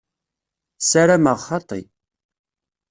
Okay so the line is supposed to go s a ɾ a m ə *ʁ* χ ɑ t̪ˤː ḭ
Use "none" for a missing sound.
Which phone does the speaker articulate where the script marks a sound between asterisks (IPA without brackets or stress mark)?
ʁ